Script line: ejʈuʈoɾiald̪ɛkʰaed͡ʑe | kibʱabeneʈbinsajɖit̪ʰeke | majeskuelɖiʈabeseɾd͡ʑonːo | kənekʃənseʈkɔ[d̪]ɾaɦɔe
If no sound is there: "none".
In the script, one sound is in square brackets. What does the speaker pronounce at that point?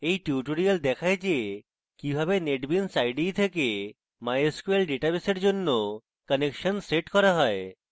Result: none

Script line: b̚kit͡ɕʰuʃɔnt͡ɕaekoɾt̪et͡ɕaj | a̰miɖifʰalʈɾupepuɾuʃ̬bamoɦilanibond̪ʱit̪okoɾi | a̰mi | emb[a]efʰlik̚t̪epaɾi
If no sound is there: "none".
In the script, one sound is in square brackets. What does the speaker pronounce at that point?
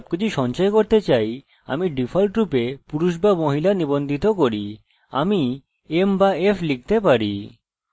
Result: a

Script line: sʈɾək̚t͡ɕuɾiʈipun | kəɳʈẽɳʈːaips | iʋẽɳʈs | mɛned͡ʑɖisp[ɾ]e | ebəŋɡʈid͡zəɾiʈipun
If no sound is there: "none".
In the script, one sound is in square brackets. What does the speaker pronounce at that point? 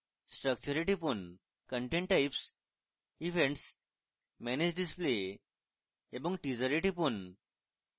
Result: l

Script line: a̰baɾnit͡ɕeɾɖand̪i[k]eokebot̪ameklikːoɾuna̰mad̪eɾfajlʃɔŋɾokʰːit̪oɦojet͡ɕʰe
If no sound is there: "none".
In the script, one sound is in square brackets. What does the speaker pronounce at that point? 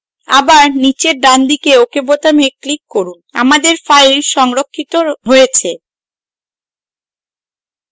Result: k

